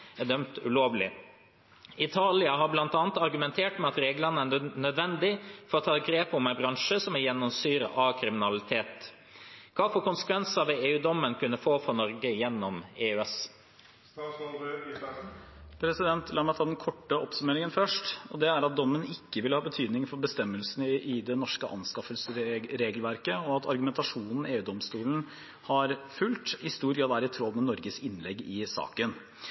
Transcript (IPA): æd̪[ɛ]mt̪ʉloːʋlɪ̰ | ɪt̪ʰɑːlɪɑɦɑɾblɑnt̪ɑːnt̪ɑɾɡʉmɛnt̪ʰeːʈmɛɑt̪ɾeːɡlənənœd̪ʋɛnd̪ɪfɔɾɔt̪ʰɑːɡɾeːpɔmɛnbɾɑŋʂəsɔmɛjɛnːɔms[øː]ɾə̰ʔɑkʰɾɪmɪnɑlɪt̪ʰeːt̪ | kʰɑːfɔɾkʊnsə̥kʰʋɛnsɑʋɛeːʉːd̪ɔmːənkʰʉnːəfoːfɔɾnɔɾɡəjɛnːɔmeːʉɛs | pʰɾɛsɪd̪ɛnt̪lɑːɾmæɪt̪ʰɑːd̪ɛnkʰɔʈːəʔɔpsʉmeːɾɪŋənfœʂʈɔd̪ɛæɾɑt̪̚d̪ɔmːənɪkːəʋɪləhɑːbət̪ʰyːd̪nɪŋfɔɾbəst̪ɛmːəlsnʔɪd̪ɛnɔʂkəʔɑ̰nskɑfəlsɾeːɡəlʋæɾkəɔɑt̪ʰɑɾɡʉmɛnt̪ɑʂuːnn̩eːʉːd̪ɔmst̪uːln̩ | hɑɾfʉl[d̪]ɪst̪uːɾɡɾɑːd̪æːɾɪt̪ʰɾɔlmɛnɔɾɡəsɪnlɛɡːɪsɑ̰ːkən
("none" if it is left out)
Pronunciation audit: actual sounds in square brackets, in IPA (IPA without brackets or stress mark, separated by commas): œ, yː, t̪